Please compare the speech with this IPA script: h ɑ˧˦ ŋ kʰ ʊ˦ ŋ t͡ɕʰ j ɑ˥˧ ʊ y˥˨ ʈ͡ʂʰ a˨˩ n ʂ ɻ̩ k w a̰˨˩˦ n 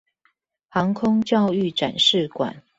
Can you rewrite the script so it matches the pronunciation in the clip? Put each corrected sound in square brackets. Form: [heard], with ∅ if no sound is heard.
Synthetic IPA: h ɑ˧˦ ŋ kʰ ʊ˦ ŋ [t͡ɕ] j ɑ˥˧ ʊ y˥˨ [ʈ͡ʂ] a˨˩ n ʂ ɻ̩ k w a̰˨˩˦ n